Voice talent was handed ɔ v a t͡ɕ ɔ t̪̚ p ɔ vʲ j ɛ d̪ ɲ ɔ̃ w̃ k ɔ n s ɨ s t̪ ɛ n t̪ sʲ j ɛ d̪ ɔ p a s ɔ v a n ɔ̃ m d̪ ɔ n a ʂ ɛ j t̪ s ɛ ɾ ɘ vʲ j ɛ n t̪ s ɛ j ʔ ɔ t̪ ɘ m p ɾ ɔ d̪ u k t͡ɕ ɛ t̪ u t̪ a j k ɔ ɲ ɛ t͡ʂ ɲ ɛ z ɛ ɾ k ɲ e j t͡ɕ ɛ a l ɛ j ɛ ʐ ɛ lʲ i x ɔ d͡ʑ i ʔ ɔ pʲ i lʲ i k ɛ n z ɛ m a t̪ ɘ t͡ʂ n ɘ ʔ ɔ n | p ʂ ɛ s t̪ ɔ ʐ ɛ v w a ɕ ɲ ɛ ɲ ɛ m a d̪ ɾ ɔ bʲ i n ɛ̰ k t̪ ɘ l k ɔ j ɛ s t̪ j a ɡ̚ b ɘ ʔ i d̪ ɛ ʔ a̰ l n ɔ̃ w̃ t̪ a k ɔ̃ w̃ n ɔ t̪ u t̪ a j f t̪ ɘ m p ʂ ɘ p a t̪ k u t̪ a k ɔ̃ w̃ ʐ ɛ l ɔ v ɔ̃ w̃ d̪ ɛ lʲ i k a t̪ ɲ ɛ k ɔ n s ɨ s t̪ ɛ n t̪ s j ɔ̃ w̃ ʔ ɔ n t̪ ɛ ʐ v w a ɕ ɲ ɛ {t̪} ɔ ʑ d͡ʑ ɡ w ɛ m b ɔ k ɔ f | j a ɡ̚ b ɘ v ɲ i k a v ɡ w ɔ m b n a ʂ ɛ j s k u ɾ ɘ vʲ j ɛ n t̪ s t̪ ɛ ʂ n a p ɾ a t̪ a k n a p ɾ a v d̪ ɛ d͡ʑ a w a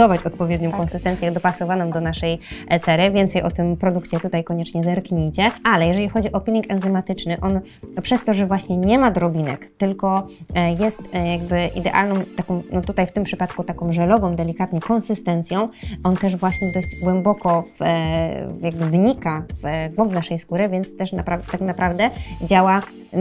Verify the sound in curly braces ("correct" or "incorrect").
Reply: incorrect